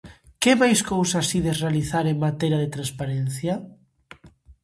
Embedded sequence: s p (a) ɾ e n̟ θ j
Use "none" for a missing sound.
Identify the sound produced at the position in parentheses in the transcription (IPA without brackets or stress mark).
a